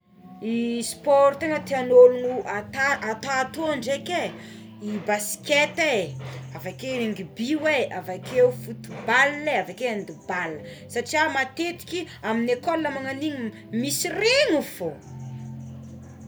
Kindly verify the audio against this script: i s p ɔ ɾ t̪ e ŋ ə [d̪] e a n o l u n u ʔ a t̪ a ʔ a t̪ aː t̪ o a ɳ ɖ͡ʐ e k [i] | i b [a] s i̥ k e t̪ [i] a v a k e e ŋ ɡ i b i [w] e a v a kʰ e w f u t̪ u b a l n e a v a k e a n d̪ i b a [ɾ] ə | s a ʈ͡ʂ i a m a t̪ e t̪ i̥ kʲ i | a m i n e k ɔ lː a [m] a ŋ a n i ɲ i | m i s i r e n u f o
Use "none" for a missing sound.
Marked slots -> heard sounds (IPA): t̪, e, a, e, w, l, m

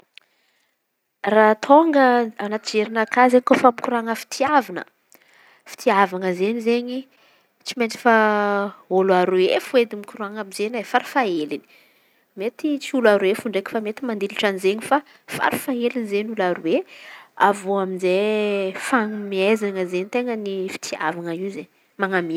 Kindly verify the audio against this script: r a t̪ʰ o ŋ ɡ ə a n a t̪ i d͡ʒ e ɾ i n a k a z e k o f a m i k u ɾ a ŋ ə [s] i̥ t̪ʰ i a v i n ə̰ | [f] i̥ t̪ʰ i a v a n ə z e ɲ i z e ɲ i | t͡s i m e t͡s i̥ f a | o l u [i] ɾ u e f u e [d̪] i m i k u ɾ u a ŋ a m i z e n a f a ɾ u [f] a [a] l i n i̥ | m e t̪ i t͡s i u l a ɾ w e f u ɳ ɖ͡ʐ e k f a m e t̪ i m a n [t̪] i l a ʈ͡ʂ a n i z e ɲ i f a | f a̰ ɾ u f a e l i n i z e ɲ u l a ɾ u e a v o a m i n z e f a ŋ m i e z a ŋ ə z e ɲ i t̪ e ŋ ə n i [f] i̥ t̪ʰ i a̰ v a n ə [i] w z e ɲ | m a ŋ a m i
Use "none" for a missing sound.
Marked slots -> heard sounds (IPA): f, f, a, d̪, f, e, d̪, f, i

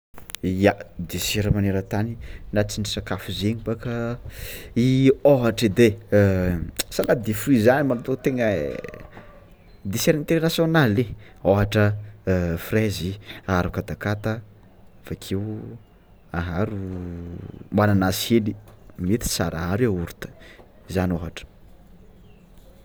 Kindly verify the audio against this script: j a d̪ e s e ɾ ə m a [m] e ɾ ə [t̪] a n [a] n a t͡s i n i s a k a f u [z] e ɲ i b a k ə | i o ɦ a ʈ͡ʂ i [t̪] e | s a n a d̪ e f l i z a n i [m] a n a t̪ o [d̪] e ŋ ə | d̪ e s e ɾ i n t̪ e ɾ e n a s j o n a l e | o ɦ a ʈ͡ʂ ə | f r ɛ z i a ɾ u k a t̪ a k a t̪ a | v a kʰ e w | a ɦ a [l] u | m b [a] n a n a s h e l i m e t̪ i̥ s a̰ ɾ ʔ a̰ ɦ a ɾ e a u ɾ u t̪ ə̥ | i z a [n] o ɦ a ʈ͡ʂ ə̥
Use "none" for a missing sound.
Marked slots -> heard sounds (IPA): n, t̪, i, z, d̪, m, t̪, ɾ, a, n

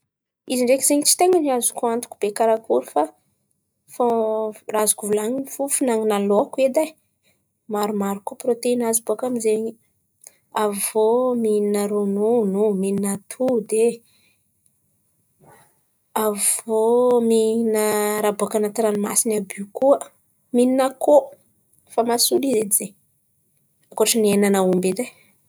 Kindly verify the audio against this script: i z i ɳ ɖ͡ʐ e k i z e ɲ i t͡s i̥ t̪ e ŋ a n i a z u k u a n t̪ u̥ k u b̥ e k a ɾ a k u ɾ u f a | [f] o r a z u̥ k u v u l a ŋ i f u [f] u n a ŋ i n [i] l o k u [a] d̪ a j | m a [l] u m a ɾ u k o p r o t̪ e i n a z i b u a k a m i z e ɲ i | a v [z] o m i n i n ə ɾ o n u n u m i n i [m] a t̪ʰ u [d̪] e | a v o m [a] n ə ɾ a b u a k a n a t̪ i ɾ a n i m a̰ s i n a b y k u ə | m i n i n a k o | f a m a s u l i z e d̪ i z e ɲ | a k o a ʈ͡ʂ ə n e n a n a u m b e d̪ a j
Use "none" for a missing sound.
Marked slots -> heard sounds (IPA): f, f, a, e, ɾ, v, n, d̪, i

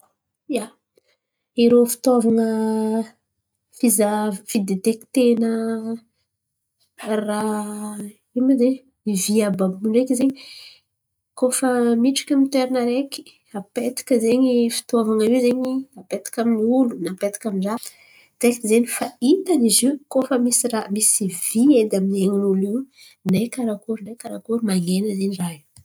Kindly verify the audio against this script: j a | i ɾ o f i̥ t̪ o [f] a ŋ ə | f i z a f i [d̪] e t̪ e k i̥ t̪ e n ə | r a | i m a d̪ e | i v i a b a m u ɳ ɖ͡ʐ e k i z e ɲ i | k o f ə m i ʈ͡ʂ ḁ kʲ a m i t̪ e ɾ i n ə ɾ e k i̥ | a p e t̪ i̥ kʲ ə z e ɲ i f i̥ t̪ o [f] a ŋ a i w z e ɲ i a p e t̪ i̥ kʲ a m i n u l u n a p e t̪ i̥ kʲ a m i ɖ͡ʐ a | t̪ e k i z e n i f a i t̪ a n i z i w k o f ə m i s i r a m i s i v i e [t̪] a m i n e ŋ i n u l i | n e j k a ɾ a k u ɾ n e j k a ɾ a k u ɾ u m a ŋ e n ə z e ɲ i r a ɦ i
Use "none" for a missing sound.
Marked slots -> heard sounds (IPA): v, d̪, v, d̪

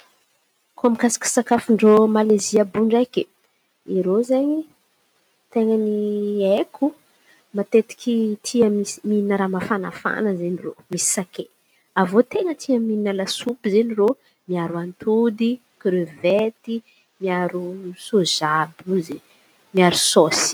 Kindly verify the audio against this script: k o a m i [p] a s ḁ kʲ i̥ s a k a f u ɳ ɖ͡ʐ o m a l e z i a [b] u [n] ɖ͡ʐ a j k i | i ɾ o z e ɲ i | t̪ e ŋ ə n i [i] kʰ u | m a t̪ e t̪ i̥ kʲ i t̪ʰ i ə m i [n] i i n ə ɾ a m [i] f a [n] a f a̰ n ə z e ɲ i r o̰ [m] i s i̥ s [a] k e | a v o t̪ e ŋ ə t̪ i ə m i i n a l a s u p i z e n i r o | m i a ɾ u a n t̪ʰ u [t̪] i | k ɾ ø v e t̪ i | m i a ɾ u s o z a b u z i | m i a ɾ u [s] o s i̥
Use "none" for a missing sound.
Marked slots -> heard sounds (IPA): k, b, ɳ, e, m, a, n, m, a, d̪, s

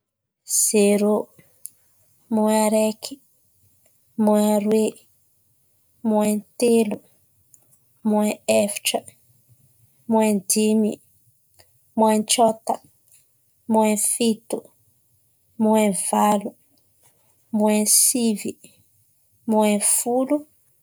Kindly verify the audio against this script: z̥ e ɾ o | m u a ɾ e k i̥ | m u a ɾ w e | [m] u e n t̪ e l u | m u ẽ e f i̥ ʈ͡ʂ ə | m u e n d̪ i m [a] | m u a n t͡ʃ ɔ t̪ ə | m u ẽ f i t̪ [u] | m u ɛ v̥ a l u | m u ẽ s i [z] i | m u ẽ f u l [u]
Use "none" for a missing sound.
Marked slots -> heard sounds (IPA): m, i, u, v, u

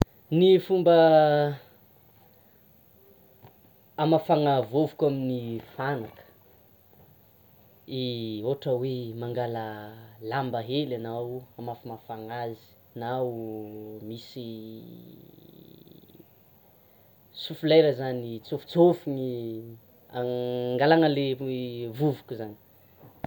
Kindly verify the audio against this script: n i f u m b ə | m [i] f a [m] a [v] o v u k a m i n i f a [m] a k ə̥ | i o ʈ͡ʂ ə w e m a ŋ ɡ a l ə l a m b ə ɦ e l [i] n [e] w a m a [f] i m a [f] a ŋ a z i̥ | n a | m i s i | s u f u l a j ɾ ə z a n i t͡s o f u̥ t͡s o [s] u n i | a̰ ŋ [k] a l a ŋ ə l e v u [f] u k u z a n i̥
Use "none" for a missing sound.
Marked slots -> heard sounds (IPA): a, ŋ, v, n, a, a, f, f, f, ɡ, v

